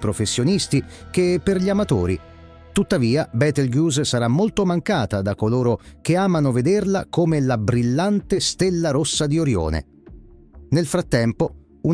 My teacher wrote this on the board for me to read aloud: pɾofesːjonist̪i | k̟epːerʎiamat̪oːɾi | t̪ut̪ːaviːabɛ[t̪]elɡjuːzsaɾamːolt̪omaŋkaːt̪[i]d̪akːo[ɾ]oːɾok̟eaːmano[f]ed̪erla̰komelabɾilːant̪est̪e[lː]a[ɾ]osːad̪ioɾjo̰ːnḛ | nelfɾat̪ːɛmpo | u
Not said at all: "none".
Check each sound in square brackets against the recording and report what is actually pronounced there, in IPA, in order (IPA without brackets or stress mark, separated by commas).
t̪, a, l, v, lː, ɾ